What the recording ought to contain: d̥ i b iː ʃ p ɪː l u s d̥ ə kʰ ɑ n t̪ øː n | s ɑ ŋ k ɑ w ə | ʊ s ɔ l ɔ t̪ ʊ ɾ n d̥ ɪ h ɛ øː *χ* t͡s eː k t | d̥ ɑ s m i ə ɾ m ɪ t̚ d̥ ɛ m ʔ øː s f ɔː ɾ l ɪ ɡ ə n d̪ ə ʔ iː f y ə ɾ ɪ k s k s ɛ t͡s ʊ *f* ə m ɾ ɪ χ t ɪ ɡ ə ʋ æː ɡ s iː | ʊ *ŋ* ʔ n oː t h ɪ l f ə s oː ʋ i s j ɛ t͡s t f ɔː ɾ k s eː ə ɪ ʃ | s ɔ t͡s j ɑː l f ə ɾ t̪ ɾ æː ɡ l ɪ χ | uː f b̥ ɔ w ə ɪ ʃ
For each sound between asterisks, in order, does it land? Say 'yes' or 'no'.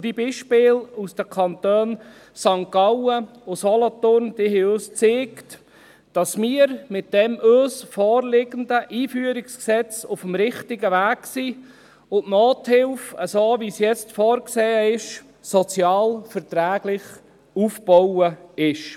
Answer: no, yes, no

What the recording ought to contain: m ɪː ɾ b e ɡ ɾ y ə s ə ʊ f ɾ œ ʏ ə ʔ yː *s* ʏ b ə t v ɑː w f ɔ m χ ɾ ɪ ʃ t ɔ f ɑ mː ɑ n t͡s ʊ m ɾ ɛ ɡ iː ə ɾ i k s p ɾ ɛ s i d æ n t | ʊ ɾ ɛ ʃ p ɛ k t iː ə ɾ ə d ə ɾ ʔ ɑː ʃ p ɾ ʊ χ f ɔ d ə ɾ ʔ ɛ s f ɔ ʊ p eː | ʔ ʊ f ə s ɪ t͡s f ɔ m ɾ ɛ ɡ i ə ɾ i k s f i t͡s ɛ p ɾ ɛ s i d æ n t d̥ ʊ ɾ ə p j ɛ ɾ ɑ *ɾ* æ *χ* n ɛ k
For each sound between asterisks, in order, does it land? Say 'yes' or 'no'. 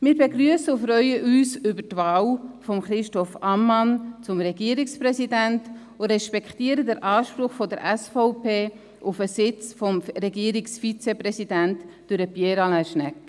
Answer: yes, no, no

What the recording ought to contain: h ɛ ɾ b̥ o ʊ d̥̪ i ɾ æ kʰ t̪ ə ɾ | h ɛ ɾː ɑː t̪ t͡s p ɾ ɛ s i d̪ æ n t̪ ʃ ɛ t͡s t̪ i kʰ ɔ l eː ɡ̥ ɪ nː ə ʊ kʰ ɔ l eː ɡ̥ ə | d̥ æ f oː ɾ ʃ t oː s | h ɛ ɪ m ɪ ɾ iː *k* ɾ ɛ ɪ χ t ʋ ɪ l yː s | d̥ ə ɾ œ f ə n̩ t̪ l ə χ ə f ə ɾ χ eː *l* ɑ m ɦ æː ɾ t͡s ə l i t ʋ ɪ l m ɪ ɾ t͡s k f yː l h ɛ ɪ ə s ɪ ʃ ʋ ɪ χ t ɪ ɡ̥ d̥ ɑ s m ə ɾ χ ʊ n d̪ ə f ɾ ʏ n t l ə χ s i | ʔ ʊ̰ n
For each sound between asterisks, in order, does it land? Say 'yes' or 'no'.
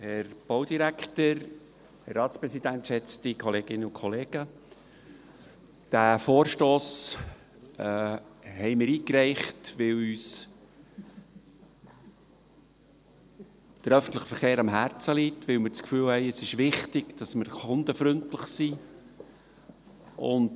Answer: yes, no

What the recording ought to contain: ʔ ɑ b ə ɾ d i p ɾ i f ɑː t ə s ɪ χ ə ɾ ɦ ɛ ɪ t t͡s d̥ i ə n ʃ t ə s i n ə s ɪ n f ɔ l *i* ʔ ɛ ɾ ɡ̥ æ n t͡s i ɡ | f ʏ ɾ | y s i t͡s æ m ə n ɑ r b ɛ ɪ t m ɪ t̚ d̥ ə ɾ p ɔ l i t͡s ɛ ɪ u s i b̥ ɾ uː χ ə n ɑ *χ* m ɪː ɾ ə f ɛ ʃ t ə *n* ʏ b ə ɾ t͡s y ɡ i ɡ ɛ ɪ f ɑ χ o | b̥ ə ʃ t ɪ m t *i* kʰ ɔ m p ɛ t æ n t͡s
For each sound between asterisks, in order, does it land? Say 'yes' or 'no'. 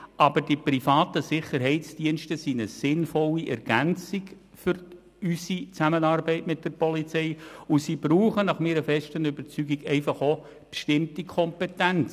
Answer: yes, yes, yes, yes

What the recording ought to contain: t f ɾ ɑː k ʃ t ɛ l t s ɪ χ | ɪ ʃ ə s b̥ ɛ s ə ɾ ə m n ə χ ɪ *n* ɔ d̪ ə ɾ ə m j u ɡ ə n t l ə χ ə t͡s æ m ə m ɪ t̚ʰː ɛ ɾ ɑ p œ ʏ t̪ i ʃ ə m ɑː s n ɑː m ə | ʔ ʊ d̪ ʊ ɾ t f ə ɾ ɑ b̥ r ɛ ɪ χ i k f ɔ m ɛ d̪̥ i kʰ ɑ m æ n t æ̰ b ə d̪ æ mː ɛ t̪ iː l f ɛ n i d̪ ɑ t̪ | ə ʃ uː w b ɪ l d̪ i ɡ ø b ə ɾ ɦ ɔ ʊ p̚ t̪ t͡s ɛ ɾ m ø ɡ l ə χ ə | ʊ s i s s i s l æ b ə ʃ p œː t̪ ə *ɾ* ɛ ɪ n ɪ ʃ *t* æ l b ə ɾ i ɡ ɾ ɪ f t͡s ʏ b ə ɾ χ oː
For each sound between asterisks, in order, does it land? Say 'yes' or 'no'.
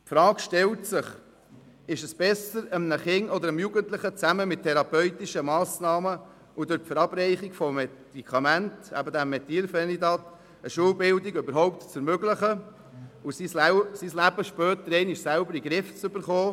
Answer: no, yes, no

